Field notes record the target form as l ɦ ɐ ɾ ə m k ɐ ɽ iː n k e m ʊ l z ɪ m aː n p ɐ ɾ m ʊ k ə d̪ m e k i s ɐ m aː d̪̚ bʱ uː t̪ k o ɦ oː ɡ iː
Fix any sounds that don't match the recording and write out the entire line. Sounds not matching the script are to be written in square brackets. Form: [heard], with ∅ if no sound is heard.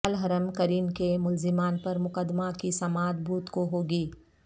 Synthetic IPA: l ɦ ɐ ɾ ə m k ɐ [ɾ] iː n k e m ʊ l z ɪ m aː n p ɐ ɾ m ʊ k ə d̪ m [a] k i s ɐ m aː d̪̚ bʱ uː t̪ k o ɦ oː ɡ iː